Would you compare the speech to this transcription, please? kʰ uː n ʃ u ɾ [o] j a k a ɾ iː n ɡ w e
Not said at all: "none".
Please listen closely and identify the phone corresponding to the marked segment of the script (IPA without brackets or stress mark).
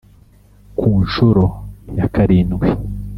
o